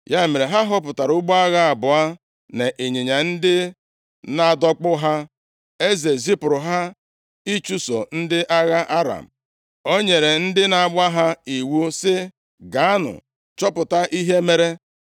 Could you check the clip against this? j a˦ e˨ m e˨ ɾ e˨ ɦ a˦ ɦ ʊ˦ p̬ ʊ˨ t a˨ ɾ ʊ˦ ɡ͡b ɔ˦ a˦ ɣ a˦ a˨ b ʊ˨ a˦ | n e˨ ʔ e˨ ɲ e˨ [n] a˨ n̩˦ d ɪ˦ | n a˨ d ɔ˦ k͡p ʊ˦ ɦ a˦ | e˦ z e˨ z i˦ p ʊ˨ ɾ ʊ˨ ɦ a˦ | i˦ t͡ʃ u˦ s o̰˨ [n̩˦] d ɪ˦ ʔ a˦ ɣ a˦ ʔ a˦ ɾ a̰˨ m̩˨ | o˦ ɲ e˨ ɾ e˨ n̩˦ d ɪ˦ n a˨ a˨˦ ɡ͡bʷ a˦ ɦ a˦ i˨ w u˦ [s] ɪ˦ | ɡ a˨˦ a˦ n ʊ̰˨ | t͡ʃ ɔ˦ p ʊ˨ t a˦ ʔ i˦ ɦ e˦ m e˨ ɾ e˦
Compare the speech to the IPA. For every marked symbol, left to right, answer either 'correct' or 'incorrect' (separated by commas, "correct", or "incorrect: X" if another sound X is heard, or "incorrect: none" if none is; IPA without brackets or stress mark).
incorrect: ɲ, correct, correct